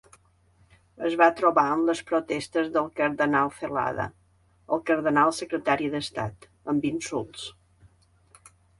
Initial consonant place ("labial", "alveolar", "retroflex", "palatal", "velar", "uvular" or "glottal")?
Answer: alveolar